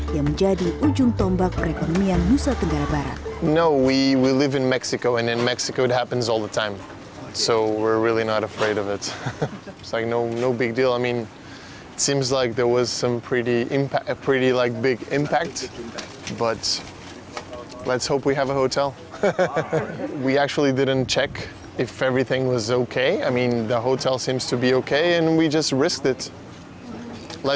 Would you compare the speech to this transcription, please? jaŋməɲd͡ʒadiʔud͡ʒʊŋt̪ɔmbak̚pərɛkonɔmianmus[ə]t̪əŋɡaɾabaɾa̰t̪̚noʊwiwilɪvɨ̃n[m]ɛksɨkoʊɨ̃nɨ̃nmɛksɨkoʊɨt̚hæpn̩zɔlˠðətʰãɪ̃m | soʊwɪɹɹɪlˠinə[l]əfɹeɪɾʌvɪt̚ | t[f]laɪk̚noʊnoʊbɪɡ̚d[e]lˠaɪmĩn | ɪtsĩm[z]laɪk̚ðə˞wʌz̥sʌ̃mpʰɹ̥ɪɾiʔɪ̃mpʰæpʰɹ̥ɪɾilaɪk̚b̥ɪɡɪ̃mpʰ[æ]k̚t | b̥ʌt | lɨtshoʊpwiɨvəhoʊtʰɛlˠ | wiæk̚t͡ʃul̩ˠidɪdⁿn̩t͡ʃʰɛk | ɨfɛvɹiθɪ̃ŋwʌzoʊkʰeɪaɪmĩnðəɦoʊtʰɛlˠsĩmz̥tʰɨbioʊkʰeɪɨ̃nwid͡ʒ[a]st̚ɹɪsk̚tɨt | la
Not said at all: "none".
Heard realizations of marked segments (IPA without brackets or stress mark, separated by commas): a, m, ɾ, s, i, z, æ, ʌ